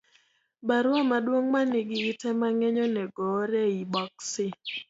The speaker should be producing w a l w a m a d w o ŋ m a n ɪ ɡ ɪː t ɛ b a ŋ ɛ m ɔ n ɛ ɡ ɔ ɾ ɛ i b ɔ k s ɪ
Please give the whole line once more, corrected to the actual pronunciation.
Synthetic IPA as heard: b a ɾ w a m a d w o ŋ m a n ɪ ɡ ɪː t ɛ m a ŋ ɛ ɲ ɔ n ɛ ɡ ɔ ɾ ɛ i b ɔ k s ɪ

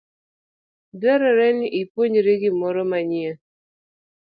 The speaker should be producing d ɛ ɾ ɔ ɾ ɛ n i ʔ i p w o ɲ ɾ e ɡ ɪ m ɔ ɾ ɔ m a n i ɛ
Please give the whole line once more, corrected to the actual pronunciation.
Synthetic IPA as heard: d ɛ ɾ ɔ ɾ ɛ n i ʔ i p w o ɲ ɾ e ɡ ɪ m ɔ ɾ ɔ m a ɲ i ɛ

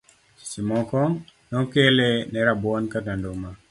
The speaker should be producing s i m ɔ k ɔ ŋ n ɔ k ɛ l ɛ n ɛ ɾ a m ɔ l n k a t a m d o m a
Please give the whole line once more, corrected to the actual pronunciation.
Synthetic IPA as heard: s i m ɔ k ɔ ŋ n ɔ k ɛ l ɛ n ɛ ɾ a b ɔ n k a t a n d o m a

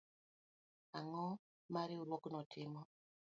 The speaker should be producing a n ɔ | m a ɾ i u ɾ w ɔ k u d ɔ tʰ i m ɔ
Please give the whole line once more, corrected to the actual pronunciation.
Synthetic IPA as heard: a ŋ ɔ | m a ɾ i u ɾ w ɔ k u n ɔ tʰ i m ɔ

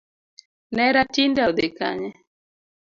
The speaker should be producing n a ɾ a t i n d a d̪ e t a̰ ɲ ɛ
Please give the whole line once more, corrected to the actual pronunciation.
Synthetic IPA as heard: n ɛ ɾ a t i n d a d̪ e k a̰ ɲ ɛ

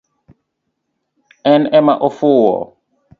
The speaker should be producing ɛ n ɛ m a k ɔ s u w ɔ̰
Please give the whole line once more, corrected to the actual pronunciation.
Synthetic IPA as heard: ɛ n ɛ m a ʔ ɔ f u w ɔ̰

